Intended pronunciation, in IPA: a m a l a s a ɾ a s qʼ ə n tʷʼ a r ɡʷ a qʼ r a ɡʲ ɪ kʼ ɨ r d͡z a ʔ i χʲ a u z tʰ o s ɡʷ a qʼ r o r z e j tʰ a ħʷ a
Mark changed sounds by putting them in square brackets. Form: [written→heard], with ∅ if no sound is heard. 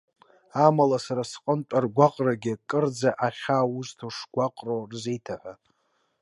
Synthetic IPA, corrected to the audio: a m a l a s a ɾ a s qʼ ə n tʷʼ a r ɡʷ a qʼ r a ɡʲ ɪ kʼ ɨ r d͡z a ʔ [i→a] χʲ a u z tʰ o [s→ʂ] ɡʷ a qʼ r o r z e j tʰ a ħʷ a